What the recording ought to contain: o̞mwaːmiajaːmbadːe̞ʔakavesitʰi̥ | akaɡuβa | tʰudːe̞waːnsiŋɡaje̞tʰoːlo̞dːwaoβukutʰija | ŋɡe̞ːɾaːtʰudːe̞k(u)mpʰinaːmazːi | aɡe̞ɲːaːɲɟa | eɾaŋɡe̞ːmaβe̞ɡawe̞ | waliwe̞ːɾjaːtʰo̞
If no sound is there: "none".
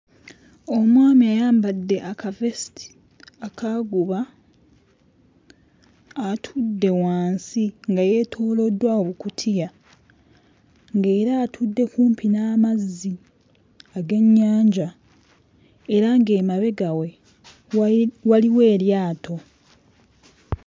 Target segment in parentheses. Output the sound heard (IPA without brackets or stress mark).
uː